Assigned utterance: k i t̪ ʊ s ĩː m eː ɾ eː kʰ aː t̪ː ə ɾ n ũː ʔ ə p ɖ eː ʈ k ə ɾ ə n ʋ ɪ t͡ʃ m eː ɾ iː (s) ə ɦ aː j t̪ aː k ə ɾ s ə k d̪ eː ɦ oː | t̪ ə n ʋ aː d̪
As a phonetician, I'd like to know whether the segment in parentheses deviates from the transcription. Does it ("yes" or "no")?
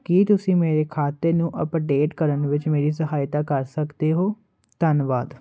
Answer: no